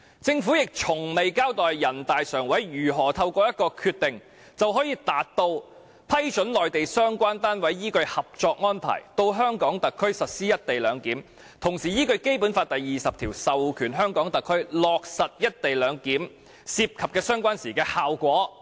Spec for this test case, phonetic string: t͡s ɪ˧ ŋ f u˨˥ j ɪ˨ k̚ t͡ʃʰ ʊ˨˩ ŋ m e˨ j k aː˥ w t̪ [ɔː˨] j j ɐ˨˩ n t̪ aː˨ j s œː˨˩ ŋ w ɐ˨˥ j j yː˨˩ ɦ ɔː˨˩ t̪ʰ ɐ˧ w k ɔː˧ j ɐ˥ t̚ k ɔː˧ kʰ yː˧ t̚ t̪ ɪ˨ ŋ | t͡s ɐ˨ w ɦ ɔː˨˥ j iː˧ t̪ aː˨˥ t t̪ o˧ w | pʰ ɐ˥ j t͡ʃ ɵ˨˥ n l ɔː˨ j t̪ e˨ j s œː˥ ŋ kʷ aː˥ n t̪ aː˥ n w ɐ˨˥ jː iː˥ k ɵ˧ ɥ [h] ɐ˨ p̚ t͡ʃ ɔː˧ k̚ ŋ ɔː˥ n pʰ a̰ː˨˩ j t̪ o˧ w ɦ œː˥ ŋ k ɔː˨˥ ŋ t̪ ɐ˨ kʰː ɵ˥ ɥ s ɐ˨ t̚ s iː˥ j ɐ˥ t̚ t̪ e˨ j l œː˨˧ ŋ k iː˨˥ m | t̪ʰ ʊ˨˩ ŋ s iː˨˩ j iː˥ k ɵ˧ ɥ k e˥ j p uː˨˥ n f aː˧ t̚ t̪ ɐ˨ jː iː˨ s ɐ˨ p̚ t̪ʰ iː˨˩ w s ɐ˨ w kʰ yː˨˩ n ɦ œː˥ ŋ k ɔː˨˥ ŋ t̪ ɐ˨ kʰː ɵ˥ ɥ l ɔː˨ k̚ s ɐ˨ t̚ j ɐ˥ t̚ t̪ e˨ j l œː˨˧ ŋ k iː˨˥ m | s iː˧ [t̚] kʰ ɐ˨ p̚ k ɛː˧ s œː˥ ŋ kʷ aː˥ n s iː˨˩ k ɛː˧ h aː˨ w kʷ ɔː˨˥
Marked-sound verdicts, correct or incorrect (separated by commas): correct, correct, incorrect